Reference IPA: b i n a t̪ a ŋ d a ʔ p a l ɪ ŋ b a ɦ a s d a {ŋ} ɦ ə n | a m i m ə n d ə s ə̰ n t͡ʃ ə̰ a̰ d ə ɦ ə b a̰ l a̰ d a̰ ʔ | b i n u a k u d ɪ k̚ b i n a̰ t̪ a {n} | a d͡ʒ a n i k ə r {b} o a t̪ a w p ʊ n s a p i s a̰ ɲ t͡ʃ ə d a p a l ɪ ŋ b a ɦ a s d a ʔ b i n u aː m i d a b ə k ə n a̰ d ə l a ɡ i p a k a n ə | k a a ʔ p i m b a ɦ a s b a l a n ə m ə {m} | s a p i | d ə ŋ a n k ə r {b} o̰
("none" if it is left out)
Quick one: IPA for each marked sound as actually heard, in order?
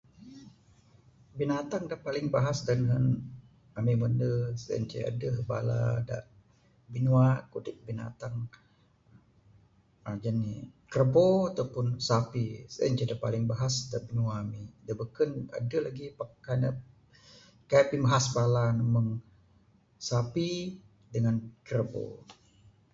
n, ŋ, b, ŋ, b

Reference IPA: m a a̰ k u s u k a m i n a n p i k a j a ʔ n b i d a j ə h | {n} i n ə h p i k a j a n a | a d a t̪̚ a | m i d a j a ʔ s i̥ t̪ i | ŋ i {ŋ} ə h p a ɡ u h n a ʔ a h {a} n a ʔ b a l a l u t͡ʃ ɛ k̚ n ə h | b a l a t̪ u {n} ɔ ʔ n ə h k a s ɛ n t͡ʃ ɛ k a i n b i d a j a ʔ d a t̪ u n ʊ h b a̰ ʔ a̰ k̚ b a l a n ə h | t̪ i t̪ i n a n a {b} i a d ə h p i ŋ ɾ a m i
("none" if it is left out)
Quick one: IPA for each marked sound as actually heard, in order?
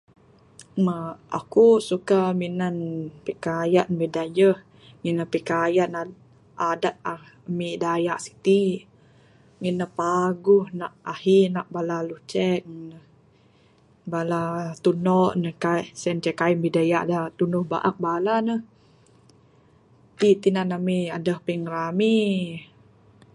ŋ, n, i, n, m

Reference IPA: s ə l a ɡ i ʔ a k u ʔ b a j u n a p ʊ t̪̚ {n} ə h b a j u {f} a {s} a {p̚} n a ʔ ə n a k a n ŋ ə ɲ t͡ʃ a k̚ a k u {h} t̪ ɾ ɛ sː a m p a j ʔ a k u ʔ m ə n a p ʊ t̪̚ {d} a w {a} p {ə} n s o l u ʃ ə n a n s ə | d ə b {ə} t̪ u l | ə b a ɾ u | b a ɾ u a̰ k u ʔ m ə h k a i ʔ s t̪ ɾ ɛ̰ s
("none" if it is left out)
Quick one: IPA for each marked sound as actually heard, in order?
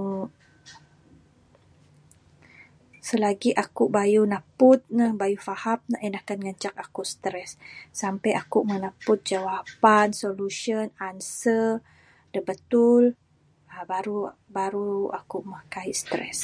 n, f, h, p̚, s, d͡ʒ, a, a, ə

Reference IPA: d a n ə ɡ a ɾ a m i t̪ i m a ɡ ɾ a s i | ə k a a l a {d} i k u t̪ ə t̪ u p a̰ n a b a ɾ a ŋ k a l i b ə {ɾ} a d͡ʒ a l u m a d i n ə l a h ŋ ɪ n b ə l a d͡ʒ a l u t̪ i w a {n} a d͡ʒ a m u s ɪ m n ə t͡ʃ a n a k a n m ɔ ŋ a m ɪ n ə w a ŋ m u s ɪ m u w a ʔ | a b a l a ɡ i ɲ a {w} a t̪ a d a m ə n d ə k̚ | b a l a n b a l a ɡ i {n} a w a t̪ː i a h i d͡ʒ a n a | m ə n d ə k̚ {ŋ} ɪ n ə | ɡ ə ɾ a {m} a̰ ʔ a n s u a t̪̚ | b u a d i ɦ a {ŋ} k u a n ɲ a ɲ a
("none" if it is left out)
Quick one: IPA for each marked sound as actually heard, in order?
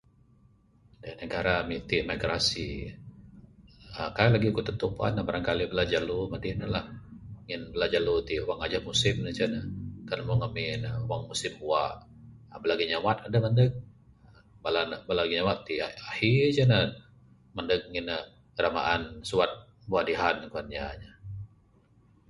ɡ, l, ŋ, w, ɲ, ŋ, m, n

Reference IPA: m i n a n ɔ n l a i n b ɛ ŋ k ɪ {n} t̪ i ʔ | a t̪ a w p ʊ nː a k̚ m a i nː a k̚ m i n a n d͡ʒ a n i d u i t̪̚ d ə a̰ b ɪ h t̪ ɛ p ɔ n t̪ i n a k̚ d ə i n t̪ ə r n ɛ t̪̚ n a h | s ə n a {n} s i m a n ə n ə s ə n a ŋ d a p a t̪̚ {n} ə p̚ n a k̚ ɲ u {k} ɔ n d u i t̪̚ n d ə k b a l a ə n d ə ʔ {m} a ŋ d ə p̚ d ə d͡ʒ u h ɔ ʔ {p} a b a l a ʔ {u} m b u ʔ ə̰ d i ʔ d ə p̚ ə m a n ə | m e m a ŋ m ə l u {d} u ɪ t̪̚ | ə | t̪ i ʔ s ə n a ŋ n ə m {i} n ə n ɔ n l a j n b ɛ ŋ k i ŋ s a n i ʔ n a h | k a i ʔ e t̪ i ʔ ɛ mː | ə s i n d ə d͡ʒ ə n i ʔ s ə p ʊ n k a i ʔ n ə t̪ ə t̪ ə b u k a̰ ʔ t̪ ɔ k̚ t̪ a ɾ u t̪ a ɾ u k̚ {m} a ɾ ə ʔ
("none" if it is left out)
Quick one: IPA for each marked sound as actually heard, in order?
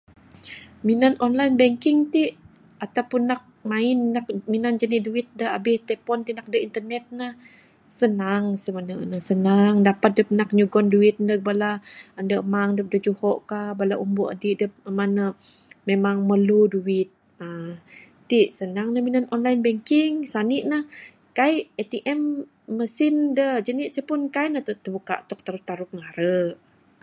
ŋ, ŋ, d, ɡ, m, k, u, d, i, ŋ

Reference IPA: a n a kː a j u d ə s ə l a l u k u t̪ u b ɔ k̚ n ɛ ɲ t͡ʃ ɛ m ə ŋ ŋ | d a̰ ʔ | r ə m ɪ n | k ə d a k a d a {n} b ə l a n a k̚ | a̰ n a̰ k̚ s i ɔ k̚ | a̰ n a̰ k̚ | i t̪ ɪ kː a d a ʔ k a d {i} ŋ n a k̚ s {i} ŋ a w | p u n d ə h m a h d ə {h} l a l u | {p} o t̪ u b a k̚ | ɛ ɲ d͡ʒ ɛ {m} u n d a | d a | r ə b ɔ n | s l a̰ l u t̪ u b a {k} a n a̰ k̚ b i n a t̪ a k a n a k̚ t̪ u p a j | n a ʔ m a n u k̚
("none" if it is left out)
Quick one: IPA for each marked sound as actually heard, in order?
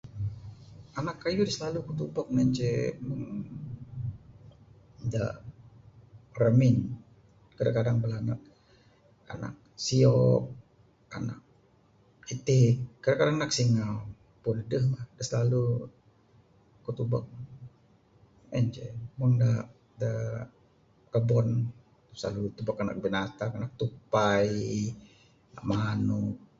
ŋ, a, i, s, k, m, k

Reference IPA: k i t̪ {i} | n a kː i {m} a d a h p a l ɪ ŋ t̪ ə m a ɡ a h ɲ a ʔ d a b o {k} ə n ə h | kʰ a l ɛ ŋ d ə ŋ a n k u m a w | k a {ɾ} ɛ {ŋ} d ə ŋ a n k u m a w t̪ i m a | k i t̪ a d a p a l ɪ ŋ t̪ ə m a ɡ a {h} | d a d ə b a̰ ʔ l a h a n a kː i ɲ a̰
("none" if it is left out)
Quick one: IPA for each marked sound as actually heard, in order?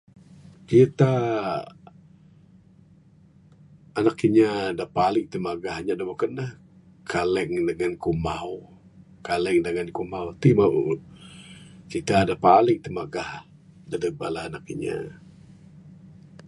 a, ɲ, k, l, ŋ, h

